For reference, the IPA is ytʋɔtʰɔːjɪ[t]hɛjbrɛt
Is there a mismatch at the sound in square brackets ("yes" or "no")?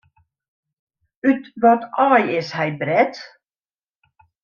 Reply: yes